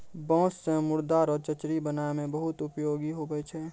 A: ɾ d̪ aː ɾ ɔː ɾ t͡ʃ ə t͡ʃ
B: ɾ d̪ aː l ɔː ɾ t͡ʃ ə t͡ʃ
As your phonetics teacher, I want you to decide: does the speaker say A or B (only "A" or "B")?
A